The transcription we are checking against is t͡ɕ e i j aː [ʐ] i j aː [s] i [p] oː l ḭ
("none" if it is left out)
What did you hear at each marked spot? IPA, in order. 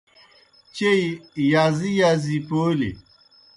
z, z, p

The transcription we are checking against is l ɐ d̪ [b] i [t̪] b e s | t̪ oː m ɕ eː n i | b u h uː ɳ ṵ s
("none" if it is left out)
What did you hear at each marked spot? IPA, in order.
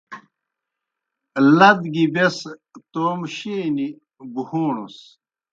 ɡ, none

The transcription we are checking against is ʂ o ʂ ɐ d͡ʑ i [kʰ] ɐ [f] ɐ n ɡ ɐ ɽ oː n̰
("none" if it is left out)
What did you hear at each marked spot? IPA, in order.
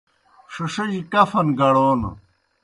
k, f

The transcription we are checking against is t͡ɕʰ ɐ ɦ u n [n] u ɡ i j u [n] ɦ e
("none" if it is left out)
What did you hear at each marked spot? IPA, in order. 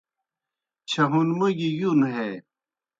m, n

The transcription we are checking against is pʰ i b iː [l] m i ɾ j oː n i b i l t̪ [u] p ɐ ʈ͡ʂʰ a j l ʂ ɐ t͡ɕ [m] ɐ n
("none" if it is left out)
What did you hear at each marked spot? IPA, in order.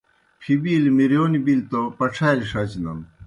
l, o, n

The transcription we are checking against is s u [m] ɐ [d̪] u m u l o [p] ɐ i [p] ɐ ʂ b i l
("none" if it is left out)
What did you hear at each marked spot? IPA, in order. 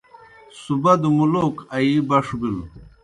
b, d̪, k, b

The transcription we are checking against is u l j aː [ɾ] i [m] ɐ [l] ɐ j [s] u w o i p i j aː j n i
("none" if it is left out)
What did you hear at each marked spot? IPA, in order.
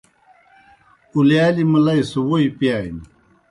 l, m, l, s

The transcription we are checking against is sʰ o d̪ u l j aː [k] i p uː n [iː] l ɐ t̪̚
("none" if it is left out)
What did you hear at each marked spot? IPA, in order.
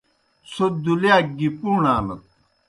ɡ, aː

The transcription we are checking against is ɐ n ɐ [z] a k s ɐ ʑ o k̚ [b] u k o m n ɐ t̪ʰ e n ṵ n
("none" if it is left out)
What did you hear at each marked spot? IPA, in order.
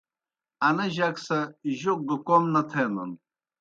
ʑ, ɡ

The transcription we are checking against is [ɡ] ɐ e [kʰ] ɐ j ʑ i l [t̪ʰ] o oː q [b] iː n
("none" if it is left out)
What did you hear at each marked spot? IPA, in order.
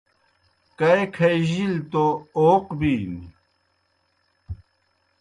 k, kʰ, t̪, b

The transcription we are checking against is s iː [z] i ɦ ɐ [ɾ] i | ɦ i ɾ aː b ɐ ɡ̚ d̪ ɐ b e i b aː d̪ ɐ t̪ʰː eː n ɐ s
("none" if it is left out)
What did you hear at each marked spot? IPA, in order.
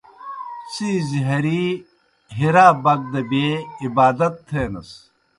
z, ɾ

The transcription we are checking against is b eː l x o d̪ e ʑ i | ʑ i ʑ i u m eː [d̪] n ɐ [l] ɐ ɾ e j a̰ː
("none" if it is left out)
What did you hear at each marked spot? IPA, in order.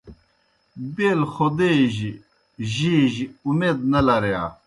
d̪, l

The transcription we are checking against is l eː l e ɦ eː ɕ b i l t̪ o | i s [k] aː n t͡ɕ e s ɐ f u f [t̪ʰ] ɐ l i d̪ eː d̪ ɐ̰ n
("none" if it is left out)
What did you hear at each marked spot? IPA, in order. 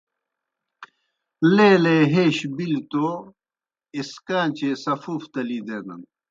k, t̪

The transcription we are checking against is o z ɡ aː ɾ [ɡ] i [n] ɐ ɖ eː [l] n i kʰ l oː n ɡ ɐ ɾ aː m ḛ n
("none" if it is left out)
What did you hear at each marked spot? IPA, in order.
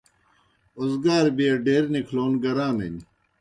b, none, ɾ

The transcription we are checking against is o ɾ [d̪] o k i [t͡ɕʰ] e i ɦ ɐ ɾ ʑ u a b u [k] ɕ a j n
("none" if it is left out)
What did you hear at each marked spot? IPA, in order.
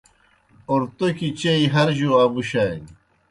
t̪, t͡ɕ, none

